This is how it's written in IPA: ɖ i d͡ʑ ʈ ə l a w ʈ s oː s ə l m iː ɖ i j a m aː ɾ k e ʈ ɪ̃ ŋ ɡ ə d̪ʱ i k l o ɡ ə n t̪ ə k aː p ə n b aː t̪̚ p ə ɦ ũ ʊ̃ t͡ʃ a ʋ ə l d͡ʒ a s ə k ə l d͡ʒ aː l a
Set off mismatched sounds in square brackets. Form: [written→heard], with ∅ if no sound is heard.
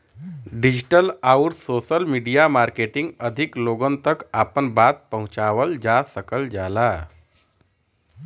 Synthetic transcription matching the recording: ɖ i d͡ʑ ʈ ə l a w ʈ s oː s ə l m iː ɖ i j a m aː ɾ k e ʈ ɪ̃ ŋ ɡ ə d̪ʱ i k l o ɡ ə n t̪ ə k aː p ə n b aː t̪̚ p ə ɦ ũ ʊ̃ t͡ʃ a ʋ ə l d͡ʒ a s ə k ə l d͡ʒ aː l a